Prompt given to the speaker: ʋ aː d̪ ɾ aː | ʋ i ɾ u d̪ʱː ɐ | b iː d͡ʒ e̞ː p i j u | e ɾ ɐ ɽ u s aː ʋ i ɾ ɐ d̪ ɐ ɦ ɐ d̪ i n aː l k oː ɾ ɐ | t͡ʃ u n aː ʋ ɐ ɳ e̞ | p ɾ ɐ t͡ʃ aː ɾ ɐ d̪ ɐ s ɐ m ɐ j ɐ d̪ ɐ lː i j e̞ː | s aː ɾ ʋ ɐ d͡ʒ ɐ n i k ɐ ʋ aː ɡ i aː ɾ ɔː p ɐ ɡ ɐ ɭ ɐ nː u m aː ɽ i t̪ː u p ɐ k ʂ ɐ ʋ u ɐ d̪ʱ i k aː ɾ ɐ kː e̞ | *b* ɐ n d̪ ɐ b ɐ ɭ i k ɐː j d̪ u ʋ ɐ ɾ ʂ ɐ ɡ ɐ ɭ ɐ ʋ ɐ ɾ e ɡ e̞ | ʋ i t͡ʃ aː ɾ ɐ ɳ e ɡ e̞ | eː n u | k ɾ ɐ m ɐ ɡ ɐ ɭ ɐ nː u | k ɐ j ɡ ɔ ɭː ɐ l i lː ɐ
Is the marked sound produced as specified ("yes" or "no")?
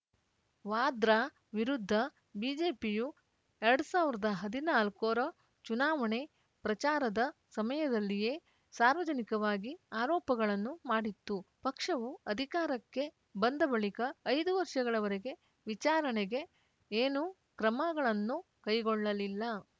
yes